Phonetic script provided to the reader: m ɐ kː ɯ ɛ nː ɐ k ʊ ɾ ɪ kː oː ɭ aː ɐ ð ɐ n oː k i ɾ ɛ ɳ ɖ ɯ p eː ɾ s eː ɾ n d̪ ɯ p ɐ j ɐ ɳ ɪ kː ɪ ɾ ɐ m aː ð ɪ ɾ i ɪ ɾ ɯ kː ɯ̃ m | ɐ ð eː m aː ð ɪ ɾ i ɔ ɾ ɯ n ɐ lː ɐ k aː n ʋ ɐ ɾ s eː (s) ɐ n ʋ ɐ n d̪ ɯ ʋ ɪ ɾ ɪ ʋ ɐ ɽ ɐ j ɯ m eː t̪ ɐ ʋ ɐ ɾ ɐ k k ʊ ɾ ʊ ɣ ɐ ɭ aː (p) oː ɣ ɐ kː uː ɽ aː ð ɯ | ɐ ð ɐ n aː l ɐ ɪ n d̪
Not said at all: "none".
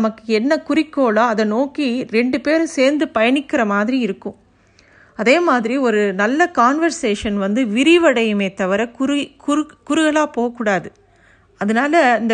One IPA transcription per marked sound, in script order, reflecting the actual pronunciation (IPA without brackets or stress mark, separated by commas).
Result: ʂ, p